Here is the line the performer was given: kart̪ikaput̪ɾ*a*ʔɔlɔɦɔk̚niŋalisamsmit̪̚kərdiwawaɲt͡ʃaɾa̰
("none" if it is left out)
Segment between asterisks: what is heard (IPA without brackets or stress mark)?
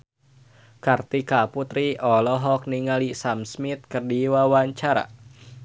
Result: i